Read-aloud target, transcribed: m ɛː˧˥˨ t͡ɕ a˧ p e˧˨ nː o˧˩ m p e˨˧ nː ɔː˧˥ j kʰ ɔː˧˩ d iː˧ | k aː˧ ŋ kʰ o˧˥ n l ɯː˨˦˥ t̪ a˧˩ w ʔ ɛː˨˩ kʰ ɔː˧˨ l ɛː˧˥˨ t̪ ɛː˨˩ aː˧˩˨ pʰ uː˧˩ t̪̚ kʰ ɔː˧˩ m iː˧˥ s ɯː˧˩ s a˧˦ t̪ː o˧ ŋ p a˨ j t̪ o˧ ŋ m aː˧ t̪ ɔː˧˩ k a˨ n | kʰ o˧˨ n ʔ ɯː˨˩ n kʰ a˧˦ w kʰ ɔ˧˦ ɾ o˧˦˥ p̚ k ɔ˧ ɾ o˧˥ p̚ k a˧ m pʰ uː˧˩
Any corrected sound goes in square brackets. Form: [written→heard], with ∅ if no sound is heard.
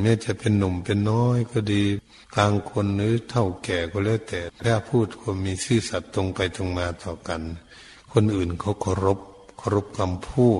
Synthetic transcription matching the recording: m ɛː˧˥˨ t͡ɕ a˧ p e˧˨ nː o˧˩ m p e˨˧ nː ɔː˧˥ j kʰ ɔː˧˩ d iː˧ | k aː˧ ŋ kʰ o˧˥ n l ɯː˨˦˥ [t̪→t̪ʰ] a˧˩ w [ʔ→k] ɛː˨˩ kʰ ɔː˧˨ l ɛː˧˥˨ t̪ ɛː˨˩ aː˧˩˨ pʰ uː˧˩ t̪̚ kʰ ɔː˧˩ m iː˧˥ s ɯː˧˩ s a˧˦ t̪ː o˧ ŋ p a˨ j t̪ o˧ ŋ m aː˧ t̪ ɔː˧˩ k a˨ n | kʰ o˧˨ n ʔ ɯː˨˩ n kʰ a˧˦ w kʰ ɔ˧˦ ɾ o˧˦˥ p̚ [k→kʰ] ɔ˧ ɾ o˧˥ p̚ k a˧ m pʰ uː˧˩